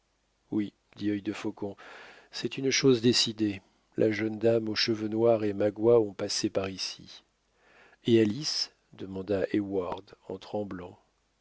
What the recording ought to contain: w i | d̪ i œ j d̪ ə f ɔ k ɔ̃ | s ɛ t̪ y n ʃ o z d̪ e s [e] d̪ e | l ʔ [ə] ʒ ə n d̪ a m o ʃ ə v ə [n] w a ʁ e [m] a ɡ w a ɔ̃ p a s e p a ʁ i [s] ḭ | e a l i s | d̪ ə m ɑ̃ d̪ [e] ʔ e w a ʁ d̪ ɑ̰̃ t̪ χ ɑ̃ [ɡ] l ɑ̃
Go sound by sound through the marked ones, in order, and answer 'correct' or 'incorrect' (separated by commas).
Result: incorrect, incorrect, correct, correct, correct, incorrect, incorrect